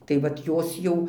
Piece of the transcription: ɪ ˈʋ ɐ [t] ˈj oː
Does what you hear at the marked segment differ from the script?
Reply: no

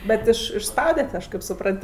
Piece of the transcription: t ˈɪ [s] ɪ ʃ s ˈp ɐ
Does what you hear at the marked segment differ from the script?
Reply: yes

